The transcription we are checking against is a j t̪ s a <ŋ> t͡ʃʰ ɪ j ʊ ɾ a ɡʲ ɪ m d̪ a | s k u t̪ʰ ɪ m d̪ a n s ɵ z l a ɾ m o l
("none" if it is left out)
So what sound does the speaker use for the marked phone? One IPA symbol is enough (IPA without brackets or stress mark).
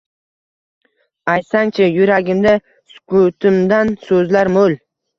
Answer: ŋ